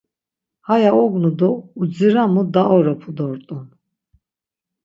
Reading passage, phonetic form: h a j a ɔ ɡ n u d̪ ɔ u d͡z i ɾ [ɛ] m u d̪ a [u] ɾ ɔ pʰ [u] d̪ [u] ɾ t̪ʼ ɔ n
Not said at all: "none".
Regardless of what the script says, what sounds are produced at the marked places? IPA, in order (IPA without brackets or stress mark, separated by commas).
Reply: a, ɔ, u, ɔ